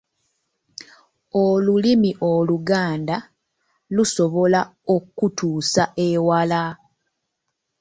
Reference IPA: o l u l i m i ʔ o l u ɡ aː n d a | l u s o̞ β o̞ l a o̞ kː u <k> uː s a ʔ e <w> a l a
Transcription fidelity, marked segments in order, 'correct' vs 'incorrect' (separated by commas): incorrect, correct